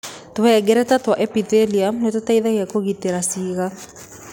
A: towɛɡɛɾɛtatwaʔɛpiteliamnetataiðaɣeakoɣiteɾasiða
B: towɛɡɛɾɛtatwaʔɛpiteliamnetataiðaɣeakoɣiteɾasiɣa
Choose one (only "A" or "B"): B